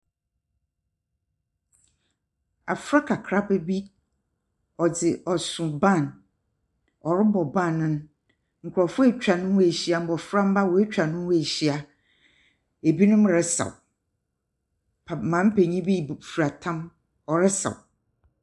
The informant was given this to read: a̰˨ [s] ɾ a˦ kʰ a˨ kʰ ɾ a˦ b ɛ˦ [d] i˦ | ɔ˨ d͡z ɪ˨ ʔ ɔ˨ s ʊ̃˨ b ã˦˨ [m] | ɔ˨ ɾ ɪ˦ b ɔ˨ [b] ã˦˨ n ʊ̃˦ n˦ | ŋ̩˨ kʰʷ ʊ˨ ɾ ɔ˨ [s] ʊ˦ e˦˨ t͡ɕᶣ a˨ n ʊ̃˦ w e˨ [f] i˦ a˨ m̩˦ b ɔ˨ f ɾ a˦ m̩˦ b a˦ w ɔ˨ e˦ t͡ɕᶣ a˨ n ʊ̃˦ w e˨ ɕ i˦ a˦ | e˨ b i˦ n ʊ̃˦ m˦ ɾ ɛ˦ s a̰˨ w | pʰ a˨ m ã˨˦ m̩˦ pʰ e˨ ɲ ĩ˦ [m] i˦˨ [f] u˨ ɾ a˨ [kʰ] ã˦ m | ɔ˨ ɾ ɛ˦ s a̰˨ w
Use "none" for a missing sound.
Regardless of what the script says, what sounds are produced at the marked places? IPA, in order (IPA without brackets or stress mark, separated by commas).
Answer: f, b, n, b, f, ɕ, b, f, tʰ